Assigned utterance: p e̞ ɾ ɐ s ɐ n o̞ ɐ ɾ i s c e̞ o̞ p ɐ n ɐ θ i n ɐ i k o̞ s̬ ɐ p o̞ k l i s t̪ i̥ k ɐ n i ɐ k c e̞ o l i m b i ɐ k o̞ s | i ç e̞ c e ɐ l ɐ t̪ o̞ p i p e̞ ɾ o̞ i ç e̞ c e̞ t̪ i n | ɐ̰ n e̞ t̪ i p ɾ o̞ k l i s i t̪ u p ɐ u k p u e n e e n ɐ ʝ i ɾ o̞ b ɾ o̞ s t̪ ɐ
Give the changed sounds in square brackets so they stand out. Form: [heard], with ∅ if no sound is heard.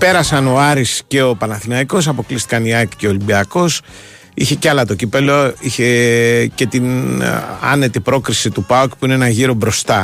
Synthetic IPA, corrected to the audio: p e̞ ɾ ɐ s ɐ n o̞ ɐ ɾ i s c e̞ o̞ p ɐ n ɐ θ i n ɐ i k o̞ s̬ ɐ p o̞ k l i s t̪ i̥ k ɐ n i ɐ k c e̞ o l i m b i ɐ k o̞ s | i ç e̞ c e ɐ l ɐ t̪ o̞ [c] i p e̞ [l] o̞ i ç e̞ c e̞ t̪ i n | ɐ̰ n e̞ t̪ i p ɾ o̞ k [ɾ] i s i t̪ u p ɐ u k p u [i] n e e n ɐ ʝ i ɾ o̞ b ɾ o̞ s t̪ ɐ